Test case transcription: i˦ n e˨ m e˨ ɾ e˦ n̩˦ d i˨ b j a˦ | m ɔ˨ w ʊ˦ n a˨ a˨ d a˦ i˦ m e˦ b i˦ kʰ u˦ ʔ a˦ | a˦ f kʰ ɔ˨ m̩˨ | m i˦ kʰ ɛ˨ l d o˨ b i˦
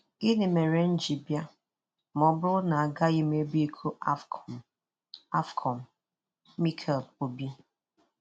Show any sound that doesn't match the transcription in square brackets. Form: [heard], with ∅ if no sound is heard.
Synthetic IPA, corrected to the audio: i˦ n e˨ m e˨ ɾ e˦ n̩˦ [d͡ʒ] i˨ b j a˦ | m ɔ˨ [b] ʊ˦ n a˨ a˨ [ɡ] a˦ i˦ m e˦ b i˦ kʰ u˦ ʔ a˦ | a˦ f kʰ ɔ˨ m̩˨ | m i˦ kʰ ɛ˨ l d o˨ b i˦

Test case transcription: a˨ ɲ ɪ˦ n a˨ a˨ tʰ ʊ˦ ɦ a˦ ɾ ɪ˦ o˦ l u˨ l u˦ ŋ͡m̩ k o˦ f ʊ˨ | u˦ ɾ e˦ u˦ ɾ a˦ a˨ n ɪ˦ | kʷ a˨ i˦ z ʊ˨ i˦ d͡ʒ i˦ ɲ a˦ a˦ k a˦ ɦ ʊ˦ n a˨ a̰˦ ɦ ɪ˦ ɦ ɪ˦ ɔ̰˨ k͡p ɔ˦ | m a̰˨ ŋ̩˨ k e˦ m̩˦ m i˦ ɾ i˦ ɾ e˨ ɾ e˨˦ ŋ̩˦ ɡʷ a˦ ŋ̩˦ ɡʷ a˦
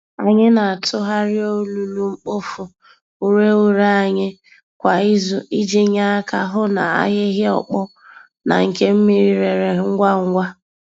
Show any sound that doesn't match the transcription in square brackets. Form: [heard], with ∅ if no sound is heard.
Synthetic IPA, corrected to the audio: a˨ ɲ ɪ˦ n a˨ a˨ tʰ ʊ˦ ɦ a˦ ɾ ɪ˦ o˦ l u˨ l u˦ ŋ͡m̩ [k͡p] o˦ f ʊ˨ | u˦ ɾ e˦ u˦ ɾ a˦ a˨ [ɲ] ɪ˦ | kʷ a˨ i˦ z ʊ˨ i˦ d͡ʒ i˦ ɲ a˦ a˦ k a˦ ɦ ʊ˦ n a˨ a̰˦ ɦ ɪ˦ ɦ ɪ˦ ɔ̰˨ k͡p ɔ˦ | [n] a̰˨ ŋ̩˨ k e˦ m̩˦ m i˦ ɾ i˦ ɾ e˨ ɾ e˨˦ ŋ̩˦ ɡʷ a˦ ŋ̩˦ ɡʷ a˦

